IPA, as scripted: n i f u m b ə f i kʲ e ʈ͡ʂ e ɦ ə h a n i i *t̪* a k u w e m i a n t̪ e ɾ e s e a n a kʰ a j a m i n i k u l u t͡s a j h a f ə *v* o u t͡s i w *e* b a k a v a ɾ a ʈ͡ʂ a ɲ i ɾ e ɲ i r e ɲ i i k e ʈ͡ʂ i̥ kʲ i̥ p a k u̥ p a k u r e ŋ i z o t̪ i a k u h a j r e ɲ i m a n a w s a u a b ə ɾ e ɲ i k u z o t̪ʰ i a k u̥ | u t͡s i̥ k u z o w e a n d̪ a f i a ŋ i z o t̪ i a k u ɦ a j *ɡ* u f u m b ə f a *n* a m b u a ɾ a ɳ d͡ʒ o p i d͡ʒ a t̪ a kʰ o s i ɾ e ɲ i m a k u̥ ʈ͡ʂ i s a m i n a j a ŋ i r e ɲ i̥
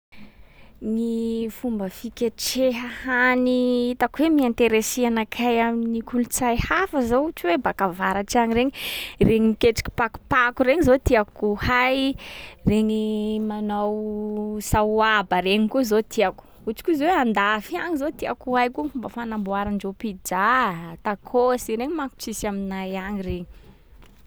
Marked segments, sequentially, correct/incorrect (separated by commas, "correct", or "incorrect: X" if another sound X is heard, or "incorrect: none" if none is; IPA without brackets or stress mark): correct, incorrect: z, correct, incorrect: k, correct